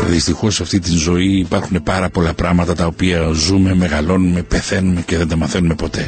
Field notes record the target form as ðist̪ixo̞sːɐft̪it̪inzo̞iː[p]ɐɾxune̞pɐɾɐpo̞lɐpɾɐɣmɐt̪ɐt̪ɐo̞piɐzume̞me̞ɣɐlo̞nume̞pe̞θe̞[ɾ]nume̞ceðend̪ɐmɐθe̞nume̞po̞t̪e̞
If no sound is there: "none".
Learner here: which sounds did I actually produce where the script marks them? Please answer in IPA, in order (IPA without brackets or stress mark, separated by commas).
p, none